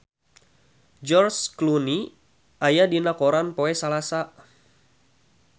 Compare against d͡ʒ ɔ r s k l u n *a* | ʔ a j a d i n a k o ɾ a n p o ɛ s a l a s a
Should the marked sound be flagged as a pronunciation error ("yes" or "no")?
yes